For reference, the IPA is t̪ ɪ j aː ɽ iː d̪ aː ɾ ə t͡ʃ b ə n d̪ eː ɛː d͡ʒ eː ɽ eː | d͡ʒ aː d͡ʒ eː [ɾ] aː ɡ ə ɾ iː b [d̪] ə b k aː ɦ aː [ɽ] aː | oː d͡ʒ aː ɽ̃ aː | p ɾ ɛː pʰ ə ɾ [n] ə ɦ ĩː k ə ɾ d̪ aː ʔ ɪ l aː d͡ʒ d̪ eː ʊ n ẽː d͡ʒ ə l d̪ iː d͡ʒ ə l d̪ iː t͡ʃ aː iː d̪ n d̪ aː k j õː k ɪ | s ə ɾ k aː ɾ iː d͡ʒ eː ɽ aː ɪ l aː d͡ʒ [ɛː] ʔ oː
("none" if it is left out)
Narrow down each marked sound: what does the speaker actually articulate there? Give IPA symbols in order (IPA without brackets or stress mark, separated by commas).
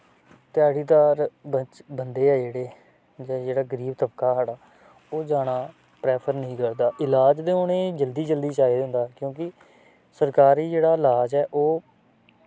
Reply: ɽ, t̪, ɽ, n, ɛː